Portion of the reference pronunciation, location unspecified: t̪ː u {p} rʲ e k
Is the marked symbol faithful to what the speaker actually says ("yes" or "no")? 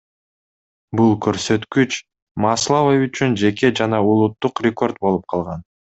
no